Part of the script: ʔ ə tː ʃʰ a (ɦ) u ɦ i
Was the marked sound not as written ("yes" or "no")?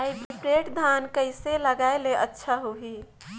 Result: no